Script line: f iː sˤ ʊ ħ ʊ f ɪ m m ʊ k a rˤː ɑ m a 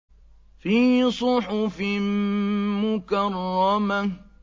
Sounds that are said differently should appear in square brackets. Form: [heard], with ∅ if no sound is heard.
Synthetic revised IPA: f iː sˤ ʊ ħ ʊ f ɪ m m ʊ k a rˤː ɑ m a